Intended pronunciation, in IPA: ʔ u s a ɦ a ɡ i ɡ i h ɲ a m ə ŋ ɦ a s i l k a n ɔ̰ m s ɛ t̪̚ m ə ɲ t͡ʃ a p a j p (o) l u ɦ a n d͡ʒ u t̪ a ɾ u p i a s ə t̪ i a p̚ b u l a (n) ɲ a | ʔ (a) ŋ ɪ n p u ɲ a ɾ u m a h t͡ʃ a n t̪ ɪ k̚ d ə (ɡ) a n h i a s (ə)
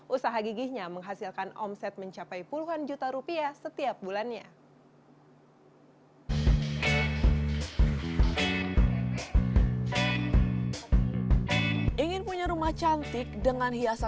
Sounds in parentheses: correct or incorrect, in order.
incorrect: u, correct, incorrect: i, incorrect: ŋ, incorrect: a

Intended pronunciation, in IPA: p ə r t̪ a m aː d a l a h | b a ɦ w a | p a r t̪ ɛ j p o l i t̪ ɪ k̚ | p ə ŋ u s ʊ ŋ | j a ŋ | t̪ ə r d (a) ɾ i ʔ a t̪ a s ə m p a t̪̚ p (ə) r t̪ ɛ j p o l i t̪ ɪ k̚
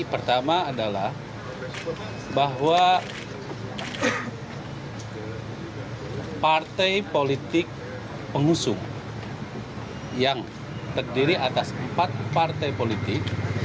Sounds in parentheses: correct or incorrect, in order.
incorrect: i, incorrect: a

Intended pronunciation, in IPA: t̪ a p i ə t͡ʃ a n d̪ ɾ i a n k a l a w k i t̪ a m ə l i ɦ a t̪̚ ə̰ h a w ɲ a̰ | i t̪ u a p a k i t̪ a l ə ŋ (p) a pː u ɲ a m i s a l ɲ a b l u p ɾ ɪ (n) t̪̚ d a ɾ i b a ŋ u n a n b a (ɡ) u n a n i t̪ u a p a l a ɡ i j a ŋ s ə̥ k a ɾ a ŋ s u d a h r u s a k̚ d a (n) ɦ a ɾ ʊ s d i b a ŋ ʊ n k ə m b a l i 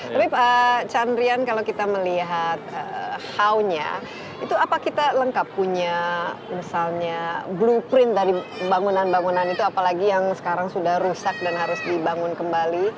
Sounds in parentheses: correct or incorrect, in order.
incorrect: k, correct, incorrect: ŋ, correct

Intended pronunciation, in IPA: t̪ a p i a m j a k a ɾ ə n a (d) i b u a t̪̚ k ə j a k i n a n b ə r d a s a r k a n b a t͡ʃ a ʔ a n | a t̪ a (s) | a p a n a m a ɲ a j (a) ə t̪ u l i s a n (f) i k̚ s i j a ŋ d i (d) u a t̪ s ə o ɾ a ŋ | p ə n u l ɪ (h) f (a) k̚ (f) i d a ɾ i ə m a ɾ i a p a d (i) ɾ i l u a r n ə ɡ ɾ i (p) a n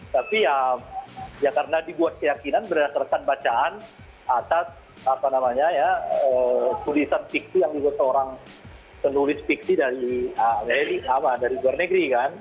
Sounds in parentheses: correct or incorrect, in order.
correct, correct, correct, correct, incorrect: b, incorrect: s, incorrect: i, incorrect: s, incorrect: a, incorrect: k

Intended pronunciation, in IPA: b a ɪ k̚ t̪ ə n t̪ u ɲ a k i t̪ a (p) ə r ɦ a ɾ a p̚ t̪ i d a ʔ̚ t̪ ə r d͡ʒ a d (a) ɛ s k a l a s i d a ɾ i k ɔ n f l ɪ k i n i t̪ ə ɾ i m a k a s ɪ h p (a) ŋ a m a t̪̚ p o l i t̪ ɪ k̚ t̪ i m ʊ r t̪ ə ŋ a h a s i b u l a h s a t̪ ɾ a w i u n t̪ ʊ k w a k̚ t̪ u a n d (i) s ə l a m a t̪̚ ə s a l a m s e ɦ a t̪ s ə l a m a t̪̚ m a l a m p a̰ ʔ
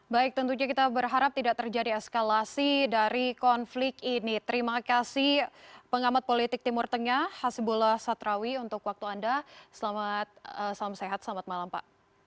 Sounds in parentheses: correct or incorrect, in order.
incorrect: b, incorrect: i, incorrect: ə, incorrect: a

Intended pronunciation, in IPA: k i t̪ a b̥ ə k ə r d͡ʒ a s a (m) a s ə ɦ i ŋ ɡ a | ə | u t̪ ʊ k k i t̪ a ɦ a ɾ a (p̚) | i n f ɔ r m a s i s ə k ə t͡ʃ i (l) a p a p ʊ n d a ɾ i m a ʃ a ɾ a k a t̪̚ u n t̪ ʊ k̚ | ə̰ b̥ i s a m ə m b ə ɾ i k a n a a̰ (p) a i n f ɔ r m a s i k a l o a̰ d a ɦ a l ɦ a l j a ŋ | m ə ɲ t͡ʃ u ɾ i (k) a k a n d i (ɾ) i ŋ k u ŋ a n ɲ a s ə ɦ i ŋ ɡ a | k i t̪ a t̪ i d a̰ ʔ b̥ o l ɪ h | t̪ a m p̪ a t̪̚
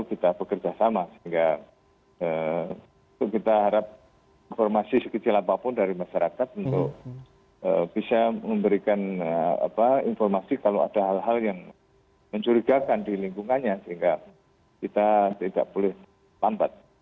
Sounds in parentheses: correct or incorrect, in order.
correct, correct, correct, correct, incorrect: ɡ, incorrect: l

